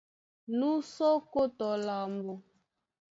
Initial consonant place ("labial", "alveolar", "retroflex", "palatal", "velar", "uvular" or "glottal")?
alveolar